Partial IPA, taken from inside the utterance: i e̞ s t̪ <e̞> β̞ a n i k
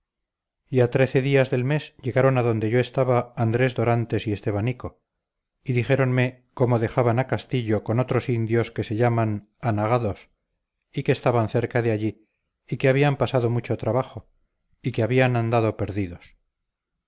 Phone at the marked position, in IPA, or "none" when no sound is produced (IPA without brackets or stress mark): e̞